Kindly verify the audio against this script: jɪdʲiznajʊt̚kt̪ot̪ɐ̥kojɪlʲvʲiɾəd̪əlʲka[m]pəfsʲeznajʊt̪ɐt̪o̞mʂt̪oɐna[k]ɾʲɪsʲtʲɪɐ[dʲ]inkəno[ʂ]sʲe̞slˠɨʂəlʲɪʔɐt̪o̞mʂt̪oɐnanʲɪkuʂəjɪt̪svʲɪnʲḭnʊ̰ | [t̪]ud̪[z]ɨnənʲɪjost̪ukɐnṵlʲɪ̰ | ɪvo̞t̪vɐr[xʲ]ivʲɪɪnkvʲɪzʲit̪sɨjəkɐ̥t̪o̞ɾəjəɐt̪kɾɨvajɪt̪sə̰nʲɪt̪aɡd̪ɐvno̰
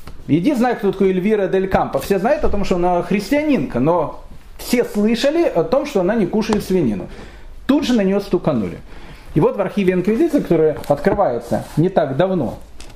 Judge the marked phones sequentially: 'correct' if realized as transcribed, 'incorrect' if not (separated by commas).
correct, incorrect, incorrect, incorrect, correct, incorrect, correct